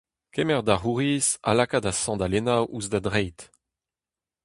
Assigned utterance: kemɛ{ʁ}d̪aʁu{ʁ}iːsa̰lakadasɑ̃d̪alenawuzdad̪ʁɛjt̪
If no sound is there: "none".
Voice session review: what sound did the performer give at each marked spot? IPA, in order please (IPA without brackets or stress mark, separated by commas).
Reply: ʁ, ʁ